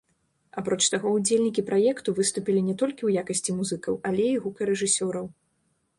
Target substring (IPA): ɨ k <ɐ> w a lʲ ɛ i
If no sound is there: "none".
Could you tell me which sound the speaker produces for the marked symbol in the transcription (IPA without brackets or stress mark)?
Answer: ɐ